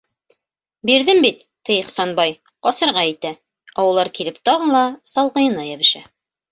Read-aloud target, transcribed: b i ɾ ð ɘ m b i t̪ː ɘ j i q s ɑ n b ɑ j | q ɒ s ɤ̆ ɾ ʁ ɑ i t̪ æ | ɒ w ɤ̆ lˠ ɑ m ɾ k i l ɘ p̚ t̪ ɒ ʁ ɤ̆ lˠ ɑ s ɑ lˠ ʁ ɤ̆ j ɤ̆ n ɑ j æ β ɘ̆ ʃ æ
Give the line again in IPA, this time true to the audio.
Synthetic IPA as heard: b i ɾ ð ɘ m b i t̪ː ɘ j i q s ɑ n b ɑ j | q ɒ s ɤ̆ ɾ ʁ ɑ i t̪ æ | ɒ w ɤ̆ lˠ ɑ ɾ k i l ɘ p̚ t̪ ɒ ʁ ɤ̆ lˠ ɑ s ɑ lˠ ʁ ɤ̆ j ɤ̆ n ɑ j æ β ɘ̆ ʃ æ